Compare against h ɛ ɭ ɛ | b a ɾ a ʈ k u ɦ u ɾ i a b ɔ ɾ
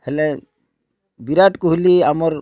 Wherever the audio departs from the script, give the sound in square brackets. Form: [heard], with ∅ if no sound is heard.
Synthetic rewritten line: h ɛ [l] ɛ | b [i] ɾ a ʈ k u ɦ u [l] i a [m] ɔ ɾ